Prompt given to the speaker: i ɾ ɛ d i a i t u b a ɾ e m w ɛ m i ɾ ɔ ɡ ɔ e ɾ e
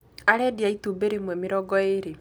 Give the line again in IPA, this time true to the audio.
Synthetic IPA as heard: a ɾ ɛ d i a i t u b e ɾ e m w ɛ m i ɾ ɔ ɡ ɔ e ɾ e